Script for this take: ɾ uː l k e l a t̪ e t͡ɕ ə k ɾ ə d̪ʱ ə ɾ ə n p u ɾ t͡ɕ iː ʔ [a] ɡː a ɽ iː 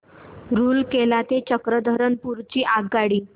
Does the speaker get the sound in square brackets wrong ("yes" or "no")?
no